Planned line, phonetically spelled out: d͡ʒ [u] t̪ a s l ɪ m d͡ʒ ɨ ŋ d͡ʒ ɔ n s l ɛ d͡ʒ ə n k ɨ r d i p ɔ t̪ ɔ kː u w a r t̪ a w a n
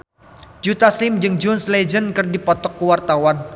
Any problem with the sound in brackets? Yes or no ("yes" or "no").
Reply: no